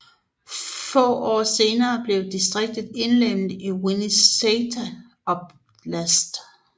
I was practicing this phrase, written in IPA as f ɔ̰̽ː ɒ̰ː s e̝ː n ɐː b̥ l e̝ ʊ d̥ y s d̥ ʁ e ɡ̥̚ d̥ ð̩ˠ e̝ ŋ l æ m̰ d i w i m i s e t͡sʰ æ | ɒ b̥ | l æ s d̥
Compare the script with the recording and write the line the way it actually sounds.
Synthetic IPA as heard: f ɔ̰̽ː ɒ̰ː s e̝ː n ɐː b̥ l e̝ ʊ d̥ i s d̥ ʁ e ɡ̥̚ d̥ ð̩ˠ e̝ n l e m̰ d i w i n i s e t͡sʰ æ | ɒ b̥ | l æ s d̥

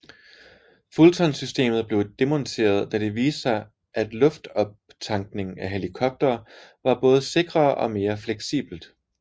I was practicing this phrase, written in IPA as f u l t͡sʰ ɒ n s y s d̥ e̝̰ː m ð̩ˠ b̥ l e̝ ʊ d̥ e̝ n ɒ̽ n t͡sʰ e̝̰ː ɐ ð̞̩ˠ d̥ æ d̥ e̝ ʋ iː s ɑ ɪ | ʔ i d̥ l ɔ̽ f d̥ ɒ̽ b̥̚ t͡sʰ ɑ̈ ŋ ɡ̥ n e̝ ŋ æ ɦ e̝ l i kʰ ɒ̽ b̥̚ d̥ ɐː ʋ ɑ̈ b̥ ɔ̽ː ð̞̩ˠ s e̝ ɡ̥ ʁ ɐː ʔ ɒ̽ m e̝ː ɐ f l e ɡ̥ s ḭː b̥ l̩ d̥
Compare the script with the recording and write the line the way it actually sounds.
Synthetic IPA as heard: f u l t͡sʰ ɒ n s y s d̥ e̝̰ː m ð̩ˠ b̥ l e̝ ʊ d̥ e̝ m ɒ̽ n t͡sʰ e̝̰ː ɐ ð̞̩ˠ d̥ æ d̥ e̝ ʋ iː s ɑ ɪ | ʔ æ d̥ l ɔ̽ f d̥ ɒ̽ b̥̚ t͡sʰ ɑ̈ ŋ ɡ̥ n e̝ ŋ æ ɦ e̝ l i kʰ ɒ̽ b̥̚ d̥ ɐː ʋ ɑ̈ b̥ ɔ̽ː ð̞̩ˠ s e̝ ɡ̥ ʁ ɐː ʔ ɒ̽ m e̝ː ɐ f l e ɡ̥ s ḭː b̥ l̩ d̥

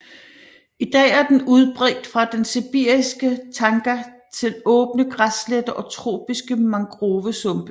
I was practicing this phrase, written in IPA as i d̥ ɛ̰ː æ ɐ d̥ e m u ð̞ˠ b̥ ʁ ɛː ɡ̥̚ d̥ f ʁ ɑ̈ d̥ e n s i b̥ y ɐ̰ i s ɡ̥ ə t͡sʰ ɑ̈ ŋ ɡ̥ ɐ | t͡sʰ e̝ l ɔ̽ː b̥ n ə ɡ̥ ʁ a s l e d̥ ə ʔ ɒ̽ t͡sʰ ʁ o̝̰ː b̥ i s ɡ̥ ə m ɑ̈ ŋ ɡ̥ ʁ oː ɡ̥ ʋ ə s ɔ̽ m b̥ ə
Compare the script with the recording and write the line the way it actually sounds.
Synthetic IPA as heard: i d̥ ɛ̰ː æ ɐ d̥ e n u ð̞ˠ b̥ ʁ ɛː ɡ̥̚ d̥ f ʁ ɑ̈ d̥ e n s i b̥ i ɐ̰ i s ɡ̥ ə t͡sʰ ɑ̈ ŋ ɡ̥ ɐ | t͡sʰ e̝ l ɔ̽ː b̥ n ə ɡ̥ ʁ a s l e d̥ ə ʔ ɒ̽ t͡sʰ ʁ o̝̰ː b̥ i s ɡ̥ ə m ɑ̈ ŋ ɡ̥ ʁ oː ʋ ə s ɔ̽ m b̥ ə

